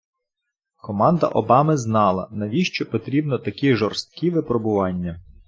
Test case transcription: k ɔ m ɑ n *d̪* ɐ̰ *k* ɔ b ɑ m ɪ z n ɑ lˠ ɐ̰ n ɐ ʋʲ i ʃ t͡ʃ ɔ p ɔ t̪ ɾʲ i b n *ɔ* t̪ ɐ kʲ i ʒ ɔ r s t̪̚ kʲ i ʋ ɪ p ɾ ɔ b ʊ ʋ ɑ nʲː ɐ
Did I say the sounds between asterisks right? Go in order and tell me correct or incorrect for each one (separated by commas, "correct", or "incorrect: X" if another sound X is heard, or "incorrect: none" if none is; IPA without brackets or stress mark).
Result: correct, incorrect: ʔ, correct